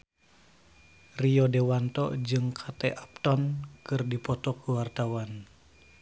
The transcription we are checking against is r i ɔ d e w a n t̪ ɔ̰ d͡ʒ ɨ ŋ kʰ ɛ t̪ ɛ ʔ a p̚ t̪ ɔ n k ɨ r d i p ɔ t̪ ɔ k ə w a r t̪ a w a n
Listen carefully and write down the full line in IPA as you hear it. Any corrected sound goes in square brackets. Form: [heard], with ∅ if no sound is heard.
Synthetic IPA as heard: r i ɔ d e w a n t̪ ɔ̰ d͡ʒ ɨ ŋ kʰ [a] t̪ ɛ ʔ a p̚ t̪ ɔ n k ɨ r d i p ɔ t̪ ɔ k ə w a r t̪ a w a n